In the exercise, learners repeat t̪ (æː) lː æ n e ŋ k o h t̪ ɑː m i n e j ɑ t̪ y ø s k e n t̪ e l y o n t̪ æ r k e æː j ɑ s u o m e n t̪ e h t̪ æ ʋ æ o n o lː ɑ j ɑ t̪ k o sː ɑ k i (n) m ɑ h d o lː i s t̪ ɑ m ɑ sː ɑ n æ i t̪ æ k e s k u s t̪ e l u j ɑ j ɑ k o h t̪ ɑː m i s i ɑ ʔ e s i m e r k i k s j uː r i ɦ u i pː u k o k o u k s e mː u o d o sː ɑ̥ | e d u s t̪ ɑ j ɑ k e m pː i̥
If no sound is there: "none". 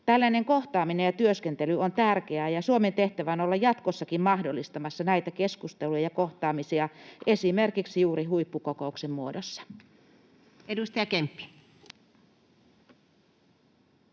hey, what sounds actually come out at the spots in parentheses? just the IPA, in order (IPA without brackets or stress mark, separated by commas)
æ, m